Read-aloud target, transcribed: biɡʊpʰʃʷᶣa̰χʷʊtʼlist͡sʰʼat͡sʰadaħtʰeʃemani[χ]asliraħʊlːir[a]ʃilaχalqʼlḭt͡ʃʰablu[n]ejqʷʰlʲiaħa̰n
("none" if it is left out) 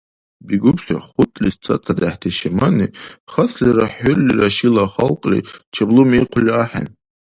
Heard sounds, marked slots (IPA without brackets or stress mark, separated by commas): χ, a, m